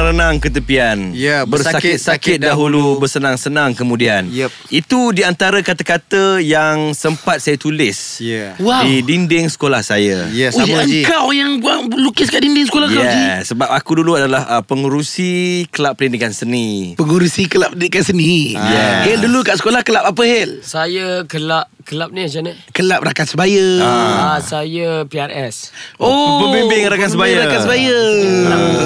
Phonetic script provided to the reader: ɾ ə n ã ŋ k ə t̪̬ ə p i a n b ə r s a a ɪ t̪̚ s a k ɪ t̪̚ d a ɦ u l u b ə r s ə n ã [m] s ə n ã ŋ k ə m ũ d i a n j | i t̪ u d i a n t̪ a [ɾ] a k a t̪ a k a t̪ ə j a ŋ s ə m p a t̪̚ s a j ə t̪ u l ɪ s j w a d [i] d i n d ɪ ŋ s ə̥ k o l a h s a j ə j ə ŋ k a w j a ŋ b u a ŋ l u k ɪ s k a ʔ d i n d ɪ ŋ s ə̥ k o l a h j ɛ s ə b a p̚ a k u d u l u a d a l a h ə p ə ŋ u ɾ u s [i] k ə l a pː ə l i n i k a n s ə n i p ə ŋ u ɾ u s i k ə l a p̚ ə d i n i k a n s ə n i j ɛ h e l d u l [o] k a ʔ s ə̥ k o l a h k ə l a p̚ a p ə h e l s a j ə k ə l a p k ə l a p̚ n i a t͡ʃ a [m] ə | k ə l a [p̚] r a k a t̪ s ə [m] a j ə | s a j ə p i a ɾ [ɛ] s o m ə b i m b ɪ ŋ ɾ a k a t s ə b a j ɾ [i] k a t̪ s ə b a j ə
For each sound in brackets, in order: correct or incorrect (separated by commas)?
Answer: incorrect, correct, correct, correct, incorrect, incorrect, correct, incorrect, correct, incorrect